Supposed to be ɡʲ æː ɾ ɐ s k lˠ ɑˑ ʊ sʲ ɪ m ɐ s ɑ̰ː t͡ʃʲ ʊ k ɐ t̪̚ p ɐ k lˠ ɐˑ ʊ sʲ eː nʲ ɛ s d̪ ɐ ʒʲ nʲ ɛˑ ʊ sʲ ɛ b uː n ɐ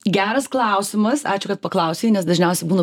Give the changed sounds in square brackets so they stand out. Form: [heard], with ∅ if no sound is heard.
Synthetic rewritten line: ɡʲ æː ɾ ɐ s k lˠ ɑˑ ʊ sʲ ɪ m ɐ s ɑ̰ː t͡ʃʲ ʊ k ɐ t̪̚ p ɐ k lˠ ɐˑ ʊ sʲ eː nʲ ɛ s d̪ ɐ ʒʲ nʲ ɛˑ ʊ sʲ ɛ b uː n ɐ